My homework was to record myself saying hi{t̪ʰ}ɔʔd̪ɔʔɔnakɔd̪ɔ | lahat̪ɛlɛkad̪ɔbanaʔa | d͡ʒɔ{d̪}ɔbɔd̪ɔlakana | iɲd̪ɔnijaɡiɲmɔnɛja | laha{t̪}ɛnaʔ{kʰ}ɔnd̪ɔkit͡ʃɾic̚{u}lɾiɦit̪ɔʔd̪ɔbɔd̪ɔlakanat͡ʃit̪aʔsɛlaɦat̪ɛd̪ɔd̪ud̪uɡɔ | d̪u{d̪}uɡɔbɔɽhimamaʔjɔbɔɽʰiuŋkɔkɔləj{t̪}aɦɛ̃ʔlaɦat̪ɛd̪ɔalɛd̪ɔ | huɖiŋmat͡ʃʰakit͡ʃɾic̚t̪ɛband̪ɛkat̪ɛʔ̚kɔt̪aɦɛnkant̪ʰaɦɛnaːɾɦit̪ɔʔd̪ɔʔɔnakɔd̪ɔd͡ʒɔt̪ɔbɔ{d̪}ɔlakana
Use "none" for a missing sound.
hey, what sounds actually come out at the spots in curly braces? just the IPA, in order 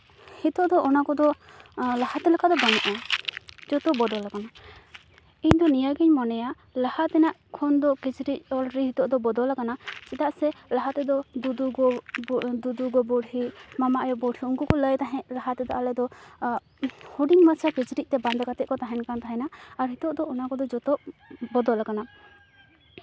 t̪, t̪, t̪, kʰ, ɔ, d̪, t̪, d̪

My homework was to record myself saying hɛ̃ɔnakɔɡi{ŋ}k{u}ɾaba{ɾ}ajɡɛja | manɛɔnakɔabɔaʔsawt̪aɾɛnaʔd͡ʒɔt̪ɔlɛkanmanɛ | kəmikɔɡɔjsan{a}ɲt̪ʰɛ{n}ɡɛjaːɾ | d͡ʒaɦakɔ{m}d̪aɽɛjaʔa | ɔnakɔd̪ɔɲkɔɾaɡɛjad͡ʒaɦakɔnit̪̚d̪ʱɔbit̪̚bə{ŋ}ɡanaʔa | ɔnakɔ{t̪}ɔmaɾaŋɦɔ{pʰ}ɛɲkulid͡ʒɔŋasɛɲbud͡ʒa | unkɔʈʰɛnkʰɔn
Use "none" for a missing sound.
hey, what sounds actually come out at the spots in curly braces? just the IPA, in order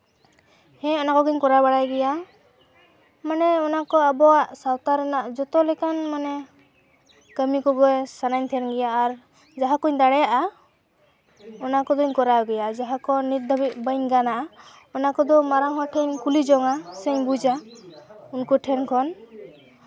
ɲ, ɔ, ɽ, a, n, ɲ, ɲ, d̪, ʈʰ

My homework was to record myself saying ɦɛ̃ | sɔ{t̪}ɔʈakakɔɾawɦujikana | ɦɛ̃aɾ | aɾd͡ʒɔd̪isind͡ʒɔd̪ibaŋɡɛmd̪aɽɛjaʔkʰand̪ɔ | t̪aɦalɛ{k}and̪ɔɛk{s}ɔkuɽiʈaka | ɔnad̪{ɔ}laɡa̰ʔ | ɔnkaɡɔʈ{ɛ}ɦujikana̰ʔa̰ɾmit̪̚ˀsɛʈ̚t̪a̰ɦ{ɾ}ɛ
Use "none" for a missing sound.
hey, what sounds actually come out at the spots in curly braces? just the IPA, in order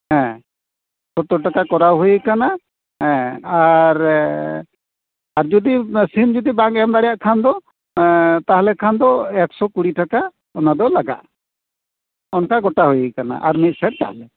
t̪, kʰ, s, ɔ, a, l

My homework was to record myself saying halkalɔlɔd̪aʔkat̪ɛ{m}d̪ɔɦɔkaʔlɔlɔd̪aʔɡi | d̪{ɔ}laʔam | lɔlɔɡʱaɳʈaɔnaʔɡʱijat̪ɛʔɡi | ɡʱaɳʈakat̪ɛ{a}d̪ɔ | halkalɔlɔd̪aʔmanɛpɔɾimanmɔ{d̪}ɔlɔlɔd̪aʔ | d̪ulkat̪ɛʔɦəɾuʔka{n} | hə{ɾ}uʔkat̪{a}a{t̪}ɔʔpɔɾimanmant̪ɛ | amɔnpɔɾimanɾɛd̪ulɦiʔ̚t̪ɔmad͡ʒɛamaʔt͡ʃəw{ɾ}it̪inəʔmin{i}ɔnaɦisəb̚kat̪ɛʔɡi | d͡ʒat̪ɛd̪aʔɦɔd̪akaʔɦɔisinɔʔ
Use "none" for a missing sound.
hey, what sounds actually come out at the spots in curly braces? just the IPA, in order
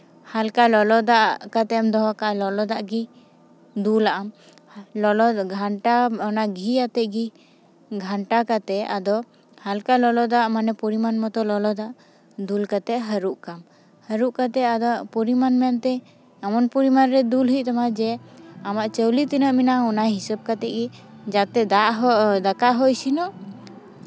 m, u, a, t̪, m, ɾ, ɛ, d̪, l, a

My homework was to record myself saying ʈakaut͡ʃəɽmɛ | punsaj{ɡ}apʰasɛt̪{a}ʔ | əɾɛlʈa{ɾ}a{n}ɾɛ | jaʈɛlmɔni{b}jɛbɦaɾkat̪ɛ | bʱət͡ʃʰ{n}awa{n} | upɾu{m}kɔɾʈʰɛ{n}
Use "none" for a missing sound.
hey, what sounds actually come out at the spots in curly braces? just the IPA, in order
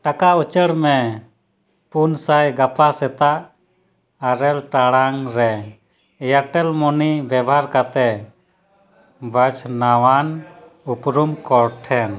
ɡ, a, ɽ, ŋ, b, n, n, m, n

